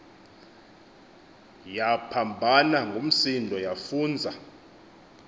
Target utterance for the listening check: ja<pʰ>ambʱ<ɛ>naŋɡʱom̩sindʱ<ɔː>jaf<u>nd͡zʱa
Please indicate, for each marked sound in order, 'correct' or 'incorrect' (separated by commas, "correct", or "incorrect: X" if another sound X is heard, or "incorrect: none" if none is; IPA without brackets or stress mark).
correct, incorrect: a, incorrect: ɔ, incorrect: uː